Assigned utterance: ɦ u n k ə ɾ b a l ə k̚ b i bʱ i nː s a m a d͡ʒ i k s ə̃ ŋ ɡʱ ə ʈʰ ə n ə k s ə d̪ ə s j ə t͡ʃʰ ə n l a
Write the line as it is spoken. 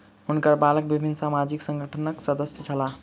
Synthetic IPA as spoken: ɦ u n k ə ɾ b a l ə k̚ b i bʱ i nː s a m a d͡ʒ i k s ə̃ ŋ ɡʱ ə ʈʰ ə n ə k s ə d̪ ə s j ə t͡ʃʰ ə l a